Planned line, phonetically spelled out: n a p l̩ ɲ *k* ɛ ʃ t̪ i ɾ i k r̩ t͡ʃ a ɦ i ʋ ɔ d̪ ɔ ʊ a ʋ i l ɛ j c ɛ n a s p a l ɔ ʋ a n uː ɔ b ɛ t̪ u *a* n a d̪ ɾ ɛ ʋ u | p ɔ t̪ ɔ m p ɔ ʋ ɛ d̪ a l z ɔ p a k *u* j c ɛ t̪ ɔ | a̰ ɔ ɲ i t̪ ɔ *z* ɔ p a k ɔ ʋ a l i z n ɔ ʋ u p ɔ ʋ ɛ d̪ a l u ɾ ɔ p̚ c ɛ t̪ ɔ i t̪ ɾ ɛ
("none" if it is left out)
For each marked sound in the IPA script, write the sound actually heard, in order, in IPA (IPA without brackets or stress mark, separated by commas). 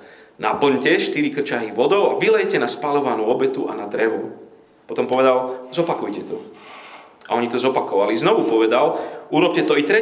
c, a, u, z